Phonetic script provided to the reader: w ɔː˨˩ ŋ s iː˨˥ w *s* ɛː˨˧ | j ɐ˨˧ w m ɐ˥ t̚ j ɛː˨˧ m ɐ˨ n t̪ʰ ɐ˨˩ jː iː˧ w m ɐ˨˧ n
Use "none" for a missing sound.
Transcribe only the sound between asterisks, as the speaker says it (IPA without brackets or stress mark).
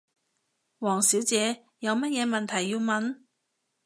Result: t͡s